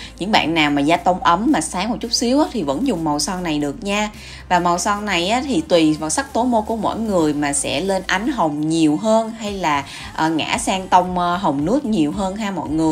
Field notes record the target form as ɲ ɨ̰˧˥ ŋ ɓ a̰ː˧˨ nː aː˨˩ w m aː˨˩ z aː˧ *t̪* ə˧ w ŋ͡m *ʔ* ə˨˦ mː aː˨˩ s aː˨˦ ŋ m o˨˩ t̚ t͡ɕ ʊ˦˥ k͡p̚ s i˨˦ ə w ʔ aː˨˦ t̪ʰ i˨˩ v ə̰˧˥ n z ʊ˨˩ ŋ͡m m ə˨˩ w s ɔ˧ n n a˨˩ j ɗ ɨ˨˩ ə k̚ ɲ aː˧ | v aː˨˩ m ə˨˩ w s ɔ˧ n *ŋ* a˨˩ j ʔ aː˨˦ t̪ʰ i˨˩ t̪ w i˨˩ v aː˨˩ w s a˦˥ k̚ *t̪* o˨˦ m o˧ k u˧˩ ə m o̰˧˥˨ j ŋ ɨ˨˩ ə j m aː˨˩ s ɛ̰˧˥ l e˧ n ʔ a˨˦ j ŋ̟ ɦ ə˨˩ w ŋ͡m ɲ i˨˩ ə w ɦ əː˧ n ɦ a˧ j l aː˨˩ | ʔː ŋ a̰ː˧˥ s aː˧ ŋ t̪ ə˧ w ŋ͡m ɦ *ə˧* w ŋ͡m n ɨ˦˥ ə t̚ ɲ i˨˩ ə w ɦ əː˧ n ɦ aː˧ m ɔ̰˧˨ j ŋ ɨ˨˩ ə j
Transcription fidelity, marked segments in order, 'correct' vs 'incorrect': correct, correct, incorrect: n, correct, incorrect: ə˨˩

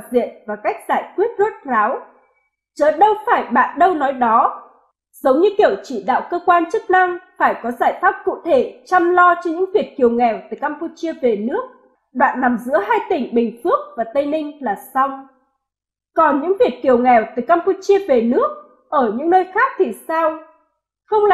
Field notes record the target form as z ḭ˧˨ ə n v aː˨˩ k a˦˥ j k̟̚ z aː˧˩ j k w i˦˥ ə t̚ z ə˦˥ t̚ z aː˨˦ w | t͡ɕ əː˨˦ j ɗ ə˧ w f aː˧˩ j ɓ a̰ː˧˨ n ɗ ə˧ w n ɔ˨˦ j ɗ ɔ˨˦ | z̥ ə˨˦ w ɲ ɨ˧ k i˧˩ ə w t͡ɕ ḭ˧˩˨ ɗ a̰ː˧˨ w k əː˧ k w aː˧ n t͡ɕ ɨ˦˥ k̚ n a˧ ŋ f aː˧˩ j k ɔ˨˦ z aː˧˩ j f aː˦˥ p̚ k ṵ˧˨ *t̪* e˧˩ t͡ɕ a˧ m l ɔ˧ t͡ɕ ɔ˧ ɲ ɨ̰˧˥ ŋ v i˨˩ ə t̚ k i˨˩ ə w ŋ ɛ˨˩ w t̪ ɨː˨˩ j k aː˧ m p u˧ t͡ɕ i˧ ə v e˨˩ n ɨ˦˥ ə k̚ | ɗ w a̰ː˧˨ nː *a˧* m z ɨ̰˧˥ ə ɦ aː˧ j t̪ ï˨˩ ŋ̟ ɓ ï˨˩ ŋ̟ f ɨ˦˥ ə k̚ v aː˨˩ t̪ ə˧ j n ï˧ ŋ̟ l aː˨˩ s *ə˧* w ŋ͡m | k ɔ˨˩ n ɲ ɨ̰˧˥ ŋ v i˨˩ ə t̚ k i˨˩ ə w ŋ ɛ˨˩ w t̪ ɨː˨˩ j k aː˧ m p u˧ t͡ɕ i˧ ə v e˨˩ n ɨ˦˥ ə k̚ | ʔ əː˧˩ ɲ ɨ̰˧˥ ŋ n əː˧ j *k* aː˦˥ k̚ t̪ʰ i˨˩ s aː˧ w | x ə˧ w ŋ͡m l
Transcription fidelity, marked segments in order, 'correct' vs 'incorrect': incorrect: t̪ʰ, incorrect: a˨˩, incorrect: a˧, incorrect: x

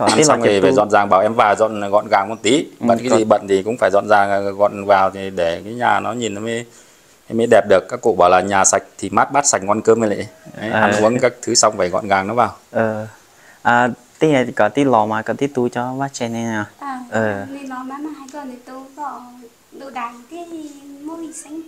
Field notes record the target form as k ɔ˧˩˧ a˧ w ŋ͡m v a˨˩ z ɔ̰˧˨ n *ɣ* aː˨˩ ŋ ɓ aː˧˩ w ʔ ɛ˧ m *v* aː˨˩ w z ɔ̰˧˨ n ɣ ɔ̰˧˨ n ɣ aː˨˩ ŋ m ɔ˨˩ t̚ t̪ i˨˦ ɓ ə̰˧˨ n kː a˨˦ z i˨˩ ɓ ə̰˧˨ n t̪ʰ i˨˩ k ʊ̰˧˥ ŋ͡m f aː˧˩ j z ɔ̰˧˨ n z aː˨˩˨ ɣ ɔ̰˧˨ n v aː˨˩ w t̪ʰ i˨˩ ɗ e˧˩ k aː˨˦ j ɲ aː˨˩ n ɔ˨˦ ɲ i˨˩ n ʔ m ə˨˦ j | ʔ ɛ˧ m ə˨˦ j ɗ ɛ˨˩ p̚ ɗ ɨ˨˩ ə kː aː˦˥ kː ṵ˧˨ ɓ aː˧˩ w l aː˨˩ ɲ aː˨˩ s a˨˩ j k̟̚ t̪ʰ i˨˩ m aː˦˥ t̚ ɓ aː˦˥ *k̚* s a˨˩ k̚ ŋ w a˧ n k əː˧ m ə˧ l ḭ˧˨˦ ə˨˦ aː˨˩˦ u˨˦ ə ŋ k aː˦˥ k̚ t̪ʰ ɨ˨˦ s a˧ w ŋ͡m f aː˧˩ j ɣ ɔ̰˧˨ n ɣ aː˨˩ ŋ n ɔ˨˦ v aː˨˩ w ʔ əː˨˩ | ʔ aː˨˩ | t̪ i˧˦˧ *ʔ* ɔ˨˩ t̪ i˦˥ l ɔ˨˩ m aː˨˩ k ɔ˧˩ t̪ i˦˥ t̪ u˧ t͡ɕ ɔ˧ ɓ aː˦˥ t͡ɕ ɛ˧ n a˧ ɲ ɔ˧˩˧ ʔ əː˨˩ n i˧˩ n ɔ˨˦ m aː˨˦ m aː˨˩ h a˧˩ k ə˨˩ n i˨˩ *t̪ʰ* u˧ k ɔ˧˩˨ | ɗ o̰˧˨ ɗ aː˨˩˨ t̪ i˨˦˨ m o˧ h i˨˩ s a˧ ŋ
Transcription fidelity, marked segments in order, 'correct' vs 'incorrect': incorrect: z, correct, incorrect: t̚, incorrect: k, incorrect: t̪

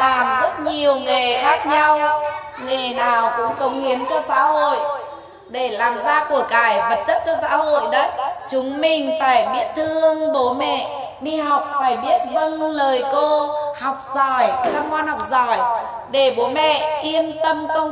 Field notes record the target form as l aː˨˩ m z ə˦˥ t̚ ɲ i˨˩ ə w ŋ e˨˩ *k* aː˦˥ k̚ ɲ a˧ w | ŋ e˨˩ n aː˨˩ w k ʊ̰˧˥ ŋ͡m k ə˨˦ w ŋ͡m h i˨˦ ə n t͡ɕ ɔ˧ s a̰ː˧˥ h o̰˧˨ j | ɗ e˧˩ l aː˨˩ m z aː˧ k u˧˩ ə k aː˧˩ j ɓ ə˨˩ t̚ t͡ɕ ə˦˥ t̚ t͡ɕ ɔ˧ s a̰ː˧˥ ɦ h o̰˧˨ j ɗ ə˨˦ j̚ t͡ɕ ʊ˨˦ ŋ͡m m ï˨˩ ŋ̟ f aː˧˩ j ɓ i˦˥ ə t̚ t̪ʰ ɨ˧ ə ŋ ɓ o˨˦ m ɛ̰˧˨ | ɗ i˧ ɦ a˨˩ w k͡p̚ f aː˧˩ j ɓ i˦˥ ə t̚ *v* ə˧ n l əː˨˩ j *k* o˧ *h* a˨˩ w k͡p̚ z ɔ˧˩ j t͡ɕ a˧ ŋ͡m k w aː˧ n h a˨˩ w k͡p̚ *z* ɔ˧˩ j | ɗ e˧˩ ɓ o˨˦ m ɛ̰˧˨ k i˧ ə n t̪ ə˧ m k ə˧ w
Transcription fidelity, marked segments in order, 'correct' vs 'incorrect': incorrect: x, correct, correct, correct, correct

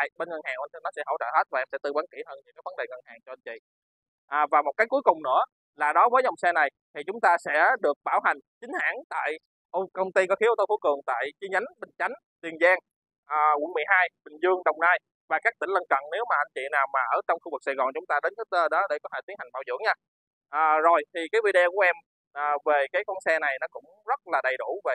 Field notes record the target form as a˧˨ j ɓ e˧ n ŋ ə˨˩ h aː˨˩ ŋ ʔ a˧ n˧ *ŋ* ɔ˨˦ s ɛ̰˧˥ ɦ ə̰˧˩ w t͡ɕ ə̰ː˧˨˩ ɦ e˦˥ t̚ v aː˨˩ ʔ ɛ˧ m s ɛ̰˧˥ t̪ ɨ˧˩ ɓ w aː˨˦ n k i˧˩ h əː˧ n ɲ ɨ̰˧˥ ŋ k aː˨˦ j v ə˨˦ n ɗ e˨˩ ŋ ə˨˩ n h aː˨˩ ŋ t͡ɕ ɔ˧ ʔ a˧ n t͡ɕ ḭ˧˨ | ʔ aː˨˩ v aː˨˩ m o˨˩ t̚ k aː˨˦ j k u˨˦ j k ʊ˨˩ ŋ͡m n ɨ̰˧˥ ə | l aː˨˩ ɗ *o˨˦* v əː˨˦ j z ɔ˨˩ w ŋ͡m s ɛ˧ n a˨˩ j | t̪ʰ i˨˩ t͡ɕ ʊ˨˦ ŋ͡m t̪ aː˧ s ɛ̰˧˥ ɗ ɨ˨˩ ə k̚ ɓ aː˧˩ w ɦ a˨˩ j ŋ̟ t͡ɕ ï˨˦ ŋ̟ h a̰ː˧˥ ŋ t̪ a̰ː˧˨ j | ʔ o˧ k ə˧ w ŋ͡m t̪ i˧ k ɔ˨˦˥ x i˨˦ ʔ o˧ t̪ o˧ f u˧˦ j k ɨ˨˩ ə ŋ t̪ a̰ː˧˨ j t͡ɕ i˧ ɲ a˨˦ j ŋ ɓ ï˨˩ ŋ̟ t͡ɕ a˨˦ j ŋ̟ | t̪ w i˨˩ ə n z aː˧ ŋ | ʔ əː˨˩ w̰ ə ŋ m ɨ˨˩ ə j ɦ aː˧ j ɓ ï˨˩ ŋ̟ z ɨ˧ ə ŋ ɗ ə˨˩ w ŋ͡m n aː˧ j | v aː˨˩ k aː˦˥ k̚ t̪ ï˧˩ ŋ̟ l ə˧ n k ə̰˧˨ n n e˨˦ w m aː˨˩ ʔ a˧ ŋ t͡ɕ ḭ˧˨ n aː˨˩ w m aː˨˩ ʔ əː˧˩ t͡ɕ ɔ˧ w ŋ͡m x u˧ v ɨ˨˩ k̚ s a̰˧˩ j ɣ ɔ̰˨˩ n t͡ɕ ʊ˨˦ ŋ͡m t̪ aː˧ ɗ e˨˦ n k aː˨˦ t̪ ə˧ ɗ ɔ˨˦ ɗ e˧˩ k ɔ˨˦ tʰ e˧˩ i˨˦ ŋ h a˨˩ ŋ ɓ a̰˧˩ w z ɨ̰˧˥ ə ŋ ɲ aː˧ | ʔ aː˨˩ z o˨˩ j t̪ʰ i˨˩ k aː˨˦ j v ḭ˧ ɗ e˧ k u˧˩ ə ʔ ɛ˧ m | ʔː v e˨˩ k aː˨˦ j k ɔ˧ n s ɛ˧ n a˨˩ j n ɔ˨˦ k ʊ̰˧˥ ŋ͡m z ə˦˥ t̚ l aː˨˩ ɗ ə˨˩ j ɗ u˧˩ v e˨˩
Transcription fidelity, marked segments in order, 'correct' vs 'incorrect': incorrect: n, incorrect: ɔ˨˦

